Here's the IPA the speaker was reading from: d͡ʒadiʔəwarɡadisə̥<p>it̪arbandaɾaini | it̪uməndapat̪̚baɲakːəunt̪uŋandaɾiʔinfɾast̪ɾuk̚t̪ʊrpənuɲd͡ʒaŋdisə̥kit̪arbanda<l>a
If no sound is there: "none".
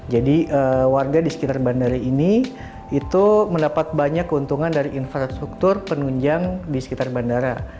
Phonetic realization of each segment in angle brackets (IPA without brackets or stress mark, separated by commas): k, ɾ